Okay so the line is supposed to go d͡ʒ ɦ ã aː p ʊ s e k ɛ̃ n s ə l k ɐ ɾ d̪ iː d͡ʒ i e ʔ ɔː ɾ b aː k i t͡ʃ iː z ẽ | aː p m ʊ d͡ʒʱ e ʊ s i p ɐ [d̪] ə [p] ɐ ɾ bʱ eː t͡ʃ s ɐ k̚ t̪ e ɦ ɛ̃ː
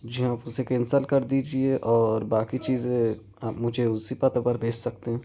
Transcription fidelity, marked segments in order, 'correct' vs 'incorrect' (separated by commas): incorrect, correct